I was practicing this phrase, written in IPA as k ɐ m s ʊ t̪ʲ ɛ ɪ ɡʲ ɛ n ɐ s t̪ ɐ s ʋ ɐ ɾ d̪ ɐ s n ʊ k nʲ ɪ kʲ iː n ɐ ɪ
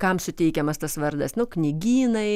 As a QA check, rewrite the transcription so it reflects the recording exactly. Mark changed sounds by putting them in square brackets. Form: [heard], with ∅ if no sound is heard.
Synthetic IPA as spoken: k ɐ m s ʊ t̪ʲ ɛ ɪ [kʲ] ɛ [m] ɐ s t̪ ɐ s ʋ ɐ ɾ d̪ ɐ s n ʊ k nʲ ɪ [ɡʲ] iː n ɐ ɪ